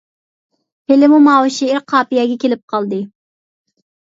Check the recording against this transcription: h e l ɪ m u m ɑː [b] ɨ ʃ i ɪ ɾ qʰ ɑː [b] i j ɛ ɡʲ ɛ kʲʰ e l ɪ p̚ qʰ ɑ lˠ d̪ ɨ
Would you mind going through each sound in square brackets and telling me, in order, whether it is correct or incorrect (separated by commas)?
incorrect, incorrect